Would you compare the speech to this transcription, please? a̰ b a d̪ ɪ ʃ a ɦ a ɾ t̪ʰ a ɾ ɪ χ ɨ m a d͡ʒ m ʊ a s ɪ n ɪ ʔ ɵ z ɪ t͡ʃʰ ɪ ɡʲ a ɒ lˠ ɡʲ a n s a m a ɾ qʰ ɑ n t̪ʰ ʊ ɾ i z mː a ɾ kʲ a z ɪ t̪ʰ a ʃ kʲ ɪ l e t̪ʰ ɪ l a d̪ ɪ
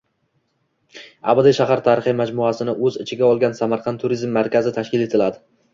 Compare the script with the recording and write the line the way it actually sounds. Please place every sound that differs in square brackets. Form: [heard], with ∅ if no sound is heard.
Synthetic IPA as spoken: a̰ b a d̪ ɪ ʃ a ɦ a ɾ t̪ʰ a ɾ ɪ χ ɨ m a d͡ʒ m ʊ a s ɪ n ɪ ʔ ɵ z ɪ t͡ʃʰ ɪ ɡʲ a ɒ lˠ ɡʲ a n s a m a ɾ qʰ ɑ n t̪ʰ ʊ ɾ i z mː a ɾ kʲ a z ɪ t̪ʰ a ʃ kʲ ɪ l e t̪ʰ ɪ l a d̪ ɪ